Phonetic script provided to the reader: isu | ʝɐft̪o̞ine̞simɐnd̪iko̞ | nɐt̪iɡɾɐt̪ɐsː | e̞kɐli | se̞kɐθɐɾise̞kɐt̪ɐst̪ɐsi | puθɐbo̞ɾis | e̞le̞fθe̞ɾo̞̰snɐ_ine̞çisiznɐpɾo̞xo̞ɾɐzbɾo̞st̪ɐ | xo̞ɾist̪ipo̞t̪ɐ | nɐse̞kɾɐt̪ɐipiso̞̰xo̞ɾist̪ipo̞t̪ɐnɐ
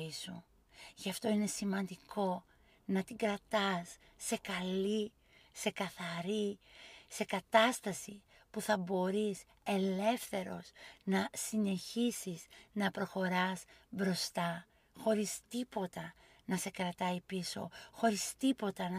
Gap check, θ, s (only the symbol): s